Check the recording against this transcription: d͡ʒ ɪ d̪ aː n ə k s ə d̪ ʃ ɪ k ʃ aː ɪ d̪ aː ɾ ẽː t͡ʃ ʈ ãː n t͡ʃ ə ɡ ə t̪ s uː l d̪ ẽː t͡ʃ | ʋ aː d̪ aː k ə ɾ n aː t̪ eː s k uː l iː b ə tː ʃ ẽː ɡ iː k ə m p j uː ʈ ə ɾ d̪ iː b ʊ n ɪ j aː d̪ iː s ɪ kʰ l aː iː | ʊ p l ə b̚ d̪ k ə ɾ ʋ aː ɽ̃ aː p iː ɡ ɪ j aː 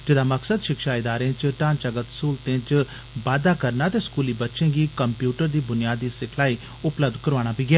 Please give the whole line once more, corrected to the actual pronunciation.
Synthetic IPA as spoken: d͡ʒ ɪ d̪ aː m ə k s ə d̪ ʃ ɪ k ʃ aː ɪ d̪ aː ɾ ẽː t͡ʃ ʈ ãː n t͡ʃ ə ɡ ə t̪ s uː l t̪ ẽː t͡ʃ | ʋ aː d̪ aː k ə ɾ n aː t̪ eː s k uː l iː b ə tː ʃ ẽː ɡ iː k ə m p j uː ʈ ə ɾ d̪ iː b ʊ n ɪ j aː d̪ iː s ɪ kʰ l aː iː | ʊ p l ə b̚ d̪ k ə ɾ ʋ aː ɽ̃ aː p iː ɡ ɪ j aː

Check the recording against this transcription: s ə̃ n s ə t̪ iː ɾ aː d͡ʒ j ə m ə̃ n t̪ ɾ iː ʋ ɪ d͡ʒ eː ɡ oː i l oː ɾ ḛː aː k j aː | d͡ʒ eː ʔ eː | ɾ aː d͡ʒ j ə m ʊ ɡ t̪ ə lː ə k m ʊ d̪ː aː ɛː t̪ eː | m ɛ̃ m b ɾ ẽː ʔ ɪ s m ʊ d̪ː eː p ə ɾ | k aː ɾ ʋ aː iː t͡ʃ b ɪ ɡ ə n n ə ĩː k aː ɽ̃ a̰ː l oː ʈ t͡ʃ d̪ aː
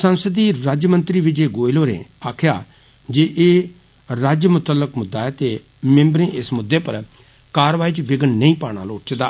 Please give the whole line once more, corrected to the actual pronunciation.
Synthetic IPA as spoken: s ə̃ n s ə d̪ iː ɾ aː d͡ʒ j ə m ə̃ n t̪ ɾ iː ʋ ɪ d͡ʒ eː ɡ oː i l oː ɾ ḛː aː kʰ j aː | d͡ʒ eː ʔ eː | ɾ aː d͡ʒ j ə m ʊ t̪ ə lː ə k m ʊ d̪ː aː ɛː t̪ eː | m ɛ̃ m b ɾ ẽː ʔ ɪ s m ʊ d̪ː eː p ə ɾ | k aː ɾ ʋ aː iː t͡ʃ b ɪ ɡ ə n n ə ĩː p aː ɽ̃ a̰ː l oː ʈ t͡ʃ d̪ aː

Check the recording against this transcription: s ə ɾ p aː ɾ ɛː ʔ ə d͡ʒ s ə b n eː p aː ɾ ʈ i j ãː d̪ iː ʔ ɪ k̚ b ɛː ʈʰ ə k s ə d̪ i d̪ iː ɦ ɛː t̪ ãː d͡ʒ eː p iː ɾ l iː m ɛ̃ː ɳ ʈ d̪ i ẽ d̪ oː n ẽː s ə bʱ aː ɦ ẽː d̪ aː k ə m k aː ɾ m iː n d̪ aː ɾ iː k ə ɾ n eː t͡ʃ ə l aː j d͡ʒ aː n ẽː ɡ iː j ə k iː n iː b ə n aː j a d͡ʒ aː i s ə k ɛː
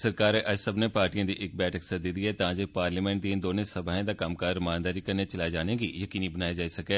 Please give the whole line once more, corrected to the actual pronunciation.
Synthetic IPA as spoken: s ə ɾ k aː ɾ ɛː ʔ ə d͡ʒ s ə b n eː p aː ɾ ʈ i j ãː d̪ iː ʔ ɪ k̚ b ɛː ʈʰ ə k s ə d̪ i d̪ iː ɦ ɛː t̪ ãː d͡ʒ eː p aː ɾ l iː m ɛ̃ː ɳ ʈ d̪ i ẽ d̪ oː n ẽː s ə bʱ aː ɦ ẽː d̪ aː k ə m k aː ɾ m aː n d̪ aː ɾ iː k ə ɾ n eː t͡ʃ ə l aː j d͡ʒ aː n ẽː ɡ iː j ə k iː n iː b ə n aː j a d͡ʒ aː i s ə k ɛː

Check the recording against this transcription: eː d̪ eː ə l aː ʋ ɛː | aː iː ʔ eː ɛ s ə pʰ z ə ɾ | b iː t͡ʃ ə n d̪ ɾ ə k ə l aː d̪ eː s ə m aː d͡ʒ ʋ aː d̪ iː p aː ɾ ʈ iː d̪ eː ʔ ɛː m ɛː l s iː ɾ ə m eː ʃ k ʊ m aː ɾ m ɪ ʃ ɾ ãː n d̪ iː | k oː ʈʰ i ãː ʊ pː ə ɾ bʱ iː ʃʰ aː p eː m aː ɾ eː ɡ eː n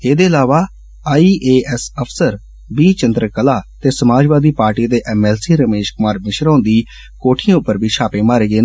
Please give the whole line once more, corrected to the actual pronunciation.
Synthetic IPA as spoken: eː d̪ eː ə l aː ʋ aː | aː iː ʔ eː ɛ s ə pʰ s ə ɾ | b iː t͡ʃ ə n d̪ ɾ ə k ə l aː t̪ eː s ə m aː d͡ʒ ʋ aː d̪ iː p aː ɾ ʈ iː d̪ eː ʔ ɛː m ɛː l s iː ɾ ə m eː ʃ k ʊ m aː ɾ m ɪ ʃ ɾ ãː n d̪ iː | k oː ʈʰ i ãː ʊ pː ə ɾ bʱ iː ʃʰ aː p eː m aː ɾ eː ɡ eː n

